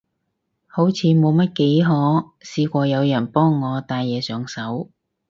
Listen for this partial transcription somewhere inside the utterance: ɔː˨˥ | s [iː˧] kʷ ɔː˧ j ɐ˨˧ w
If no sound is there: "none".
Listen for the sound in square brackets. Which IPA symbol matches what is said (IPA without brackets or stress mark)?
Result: iː˧